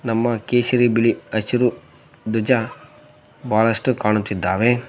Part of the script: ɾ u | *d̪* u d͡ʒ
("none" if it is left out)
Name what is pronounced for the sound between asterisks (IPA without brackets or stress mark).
d̪